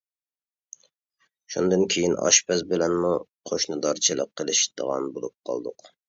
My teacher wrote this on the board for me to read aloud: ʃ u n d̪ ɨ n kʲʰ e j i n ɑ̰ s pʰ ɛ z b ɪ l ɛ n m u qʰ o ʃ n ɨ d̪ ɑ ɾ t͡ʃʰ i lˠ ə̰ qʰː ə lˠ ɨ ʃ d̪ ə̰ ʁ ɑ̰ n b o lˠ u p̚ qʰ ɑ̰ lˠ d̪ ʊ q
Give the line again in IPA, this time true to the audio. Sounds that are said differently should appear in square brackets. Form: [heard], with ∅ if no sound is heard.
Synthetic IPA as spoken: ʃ u n d̪ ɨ n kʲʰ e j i n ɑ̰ [ʃ] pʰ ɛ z b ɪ l ɛ n m u qʰ o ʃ n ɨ d̪ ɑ ɾ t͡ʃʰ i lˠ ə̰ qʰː ə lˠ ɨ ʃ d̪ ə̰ ʁ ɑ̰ n b o lˠ u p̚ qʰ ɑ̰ lˠ d̪ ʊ q